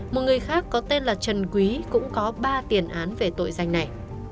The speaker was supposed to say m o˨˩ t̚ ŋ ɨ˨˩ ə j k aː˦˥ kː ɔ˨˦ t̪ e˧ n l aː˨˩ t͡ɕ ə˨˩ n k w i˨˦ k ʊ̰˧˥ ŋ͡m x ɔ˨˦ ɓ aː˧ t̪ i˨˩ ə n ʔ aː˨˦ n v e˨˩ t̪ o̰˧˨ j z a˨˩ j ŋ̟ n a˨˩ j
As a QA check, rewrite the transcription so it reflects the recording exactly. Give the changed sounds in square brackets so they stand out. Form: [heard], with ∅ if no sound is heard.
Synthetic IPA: m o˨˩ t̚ ŋ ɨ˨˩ ə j [x] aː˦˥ kː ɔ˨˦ t̪ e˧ n l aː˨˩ t͡ɕ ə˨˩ n k w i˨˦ k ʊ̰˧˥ ŋ͡m [k] ɔ˨˦ ɓ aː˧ t̪ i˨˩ ə n ʔ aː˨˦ n v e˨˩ t̪ o̰˧˨ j z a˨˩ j ŋ̟ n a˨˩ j